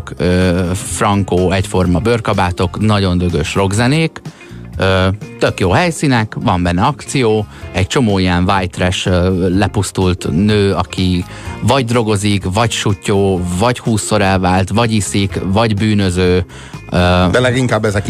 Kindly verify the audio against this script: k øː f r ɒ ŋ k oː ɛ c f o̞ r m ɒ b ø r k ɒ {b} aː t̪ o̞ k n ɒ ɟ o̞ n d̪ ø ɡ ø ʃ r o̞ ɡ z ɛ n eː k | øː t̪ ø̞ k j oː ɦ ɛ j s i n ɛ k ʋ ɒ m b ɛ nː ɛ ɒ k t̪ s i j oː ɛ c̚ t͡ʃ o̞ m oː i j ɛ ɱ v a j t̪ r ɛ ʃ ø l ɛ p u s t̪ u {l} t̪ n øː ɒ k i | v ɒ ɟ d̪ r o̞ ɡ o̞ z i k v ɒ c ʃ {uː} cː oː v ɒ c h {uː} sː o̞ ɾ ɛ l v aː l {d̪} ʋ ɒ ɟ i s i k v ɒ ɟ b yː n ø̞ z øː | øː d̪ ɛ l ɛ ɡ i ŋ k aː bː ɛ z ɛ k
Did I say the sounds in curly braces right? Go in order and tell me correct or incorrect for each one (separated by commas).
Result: correct, correct, incorrect, correct, incorrect